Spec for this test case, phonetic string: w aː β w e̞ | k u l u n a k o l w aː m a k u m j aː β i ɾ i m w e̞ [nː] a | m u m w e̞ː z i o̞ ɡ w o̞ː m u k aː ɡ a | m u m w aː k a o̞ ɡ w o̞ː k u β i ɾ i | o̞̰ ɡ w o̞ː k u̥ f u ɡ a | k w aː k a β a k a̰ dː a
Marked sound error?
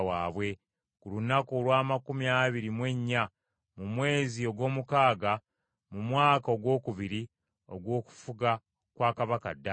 yes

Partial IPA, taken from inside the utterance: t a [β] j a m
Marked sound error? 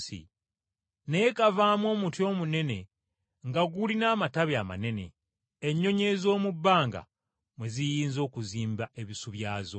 no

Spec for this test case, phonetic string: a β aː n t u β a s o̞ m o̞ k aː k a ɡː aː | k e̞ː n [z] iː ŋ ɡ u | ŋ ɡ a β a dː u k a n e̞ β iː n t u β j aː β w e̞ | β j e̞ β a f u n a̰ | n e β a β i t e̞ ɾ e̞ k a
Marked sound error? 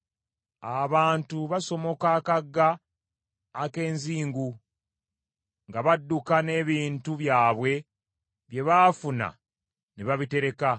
no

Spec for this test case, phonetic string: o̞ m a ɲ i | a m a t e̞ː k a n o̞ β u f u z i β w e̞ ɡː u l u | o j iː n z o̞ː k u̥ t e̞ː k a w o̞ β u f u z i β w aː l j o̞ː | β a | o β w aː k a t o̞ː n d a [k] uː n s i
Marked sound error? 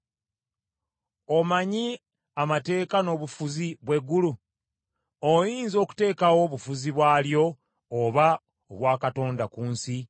no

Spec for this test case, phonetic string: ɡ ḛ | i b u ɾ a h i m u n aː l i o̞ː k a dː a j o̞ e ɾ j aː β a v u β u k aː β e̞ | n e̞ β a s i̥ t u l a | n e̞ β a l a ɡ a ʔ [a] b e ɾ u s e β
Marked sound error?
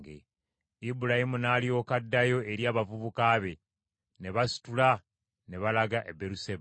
yes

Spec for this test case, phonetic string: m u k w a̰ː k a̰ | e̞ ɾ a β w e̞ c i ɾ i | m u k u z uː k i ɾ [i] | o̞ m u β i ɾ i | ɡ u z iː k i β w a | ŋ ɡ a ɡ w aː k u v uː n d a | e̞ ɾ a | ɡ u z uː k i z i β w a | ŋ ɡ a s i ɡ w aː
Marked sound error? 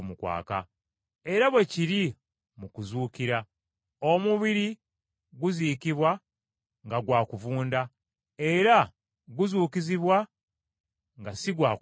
yes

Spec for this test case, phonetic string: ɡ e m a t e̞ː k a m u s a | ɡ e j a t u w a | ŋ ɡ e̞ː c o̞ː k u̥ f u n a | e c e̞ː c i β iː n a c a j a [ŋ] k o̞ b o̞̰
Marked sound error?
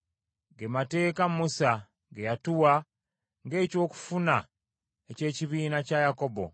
yes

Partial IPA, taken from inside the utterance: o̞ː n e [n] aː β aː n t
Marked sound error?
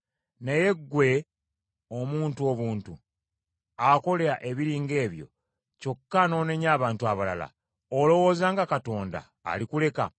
yes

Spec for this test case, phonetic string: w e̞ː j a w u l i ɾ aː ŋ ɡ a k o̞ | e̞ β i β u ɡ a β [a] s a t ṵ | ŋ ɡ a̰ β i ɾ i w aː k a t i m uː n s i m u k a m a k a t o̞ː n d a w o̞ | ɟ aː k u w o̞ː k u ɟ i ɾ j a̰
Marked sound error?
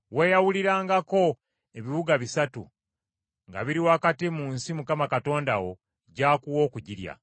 yes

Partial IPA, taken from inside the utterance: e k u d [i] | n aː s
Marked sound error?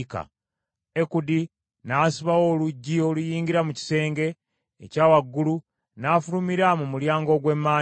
no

